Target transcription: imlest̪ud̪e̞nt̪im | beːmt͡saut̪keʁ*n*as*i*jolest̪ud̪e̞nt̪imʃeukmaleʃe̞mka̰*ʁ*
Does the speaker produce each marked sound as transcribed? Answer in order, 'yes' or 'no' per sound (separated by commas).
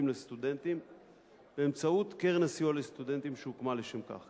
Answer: yes, yes, no